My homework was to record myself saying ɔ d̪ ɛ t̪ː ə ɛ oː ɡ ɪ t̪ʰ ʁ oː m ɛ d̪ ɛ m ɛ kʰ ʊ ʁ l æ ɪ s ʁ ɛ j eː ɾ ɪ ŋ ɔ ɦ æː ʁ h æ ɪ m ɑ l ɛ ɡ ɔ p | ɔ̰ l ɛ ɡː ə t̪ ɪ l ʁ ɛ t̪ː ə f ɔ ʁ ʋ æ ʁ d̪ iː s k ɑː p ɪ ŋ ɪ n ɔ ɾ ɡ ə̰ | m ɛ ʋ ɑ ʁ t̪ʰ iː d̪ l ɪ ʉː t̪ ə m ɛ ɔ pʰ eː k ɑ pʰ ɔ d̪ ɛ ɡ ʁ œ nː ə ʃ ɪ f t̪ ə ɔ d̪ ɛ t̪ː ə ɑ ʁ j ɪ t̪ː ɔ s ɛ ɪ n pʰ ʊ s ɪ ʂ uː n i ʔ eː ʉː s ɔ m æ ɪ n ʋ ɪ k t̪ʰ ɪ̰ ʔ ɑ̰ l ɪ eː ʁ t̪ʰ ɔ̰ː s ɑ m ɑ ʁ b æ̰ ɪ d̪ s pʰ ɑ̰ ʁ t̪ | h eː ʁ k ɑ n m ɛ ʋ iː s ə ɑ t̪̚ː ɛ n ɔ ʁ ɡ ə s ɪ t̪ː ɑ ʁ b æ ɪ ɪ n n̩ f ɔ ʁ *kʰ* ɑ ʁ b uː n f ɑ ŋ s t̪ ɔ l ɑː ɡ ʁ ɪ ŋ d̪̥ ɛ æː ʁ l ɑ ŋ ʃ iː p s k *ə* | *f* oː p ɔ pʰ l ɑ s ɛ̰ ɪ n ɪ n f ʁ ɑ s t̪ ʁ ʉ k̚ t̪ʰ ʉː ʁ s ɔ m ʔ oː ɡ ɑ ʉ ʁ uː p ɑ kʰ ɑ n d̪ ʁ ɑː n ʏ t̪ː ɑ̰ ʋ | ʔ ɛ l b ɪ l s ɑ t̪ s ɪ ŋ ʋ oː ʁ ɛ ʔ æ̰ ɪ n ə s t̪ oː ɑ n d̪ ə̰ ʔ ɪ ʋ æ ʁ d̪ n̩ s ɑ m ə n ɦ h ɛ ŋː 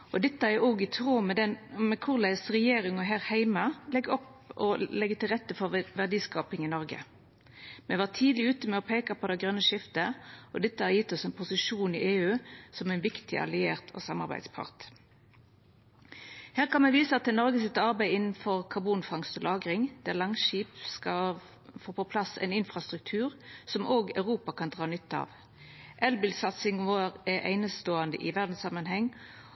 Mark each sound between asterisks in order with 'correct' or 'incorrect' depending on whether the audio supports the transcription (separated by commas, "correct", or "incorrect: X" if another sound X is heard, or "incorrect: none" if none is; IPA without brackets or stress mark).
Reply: correct, incorrect: ɑ, correct